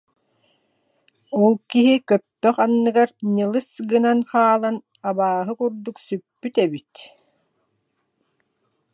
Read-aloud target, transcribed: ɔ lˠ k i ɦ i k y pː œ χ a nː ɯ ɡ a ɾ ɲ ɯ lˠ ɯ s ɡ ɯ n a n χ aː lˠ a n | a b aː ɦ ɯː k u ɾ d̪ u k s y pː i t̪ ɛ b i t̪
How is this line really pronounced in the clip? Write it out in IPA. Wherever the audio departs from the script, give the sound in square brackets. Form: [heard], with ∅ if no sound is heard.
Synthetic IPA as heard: ɔ lˠ k i ɦ i k [œ] pː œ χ a nː ɯ ɡ a ɾ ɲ ɯ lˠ ɯ s ɡ ɯ n a n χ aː lˠ a n | a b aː ɦ [ɯ] k u ɾ d̪ u k s y pː [y] t̪ ɛ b i t̪